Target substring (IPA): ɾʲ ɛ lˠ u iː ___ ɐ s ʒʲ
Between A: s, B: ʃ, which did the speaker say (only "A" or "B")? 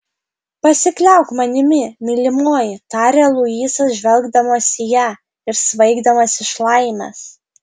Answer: A